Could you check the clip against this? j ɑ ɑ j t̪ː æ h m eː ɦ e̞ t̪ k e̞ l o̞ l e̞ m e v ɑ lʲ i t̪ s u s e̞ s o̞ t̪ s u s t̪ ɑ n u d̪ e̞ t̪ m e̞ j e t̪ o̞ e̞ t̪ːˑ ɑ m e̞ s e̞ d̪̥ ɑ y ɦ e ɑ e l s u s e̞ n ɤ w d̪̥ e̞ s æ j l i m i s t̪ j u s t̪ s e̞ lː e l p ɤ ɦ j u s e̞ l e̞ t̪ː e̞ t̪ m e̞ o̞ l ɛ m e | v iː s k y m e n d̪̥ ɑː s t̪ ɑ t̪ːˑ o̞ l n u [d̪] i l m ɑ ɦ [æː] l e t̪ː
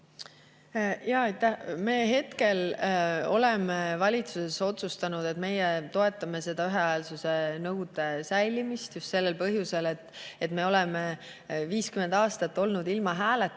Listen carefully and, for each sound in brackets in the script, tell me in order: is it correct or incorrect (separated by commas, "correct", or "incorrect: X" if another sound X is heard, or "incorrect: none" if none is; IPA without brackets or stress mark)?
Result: correct, correct